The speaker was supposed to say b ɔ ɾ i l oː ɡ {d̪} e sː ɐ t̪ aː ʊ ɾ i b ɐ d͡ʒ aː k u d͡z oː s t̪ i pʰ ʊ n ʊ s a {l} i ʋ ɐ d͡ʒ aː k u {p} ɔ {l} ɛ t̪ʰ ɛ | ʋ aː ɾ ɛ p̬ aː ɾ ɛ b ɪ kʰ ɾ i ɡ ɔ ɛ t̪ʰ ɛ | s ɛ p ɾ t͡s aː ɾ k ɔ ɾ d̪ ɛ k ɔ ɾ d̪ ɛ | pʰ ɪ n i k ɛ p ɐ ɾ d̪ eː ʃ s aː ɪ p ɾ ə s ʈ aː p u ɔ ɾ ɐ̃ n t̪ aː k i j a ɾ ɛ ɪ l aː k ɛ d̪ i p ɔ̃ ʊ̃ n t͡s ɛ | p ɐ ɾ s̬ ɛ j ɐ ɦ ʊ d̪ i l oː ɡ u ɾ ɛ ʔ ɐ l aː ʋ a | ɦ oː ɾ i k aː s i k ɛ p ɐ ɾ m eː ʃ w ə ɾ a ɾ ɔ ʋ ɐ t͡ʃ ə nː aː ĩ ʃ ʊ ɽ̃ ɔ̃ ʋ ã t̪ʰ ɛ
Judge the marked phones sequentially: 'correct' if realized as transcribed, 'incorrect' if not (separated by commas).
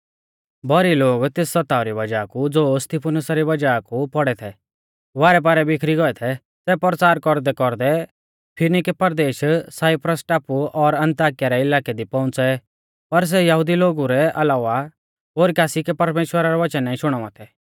incorrect, incorrect, correct, incorrect